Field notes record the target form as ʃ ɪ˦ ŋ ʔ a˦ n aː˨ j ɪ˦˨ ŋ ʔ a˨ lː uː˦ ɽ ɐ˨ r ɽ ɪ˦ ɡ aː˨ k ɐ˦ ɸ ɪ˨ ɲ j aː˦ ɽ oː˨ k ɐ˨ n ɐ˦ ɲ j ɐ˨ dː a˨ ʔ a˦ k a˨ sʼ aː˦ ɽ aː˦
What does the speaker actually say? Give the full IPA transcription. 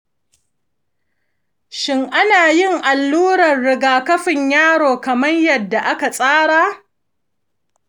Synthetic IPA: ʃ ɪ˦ ŋ ʔ a˦ n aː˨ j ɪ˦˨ ŋ ʔ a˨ lː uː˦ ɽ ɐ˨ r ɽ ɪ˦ ɡ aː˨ k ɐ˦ ɸ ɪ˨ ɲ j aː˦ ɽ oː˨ k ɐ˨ m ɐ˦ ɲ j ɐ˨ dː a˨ ʔ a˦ k a˨ sʼ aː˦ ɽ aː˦